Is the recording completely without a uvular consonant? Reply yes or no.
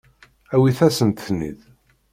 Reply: yes